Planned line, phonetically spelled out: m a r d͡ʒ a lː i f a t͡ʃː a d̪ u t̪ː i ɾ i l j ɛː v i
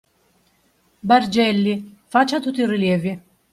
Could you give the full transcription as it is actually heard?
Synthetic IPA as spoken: b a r d͡ʒ ɛ lː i f a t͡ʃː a t̪ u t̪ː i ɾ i l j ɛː v i